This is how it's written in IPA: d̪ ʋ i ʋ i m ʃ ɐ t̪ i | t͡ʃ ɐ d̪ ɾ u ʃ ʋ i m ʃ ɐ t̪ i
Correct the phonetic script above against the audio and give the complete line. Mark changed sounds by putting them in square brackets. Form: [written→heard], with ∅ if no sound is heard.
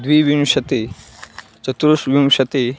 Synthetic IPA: d̪ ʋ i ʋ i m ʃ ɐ t̪ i | t͡ʃ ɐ [d̪→t̪] ɾ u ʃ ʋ i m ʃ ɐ t̪ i